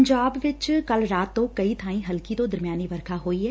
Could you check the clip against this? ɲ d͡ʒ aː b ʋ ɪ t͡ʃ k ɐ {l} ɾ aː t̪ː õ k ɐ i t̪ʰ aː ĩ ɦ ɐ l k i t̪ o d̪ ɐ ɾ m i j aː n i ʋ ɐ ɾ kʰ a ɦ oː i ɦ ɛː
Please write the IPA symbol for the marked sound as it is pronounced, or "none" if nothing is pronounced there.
l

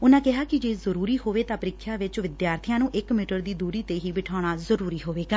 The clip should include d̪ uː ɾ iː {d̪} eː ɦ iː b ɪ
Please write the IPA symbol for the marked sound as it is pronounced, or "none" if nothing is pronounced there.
t̪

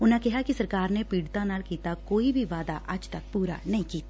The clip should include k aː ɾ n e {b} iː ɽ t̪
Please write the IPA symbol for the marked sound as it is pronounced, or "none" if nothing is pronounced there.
p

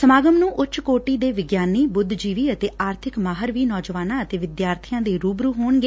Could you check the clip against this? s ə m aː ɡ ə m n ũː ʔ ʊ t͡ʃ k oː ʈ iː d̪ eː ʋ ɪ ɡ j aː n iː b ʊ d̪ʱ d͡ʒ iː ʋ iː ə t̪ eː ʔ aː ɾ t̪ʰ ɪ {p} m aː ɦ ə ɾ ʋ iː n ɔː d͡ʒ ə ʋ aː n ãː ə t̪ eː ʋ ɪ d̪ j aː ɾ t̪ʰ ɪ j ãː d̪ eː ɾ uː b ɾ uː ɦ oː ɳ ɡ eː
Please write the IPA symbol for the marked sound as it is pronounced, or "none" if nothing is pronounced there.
k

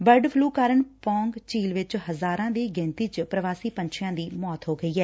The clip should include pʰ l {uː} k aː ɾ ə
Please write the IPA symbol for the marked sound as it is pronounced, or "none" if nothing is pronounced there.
uː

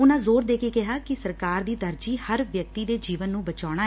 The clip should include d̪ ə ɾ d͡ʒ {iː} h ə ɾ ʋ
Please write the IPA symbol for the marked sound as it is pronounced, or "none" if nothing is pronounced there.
iː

